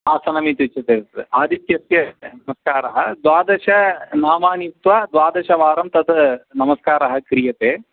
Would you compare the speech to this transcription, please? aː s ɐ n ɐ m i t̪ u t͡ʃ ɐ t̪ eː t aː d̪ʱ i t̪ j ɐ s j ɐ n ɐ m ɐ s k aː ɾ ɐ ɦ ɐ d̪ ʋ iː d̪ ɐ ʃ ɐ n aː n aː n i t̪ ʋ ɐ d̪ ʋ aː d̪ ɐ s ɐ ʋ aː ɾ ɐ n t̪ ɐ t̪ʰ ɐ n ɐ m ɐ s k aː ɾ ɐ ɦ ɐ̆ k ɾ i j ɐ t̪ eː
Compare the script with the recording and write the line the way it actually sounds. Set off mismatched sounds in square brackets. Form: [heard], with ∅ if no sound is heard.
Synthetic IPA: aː s ɐ n ɐ m i t̪ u t͡ʃ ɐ t̪ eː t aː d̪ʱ i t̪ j ɐ s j ɐ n ɐ m ɐ s k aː ɾ ɐ ɦ ɐ d̪ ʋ [aː] d̪ ɐ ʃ ɐ n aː [m] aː n i t̪ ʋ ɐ d̪ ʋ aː d̪ ɐ [ʃ] ɐ ʋ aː ɾ ɐ [m] t̪ ɐ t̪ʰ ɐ n ɐ m ɐ s k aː ɾ ɐ ɦ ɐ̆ k ɾ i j ɐ t̪ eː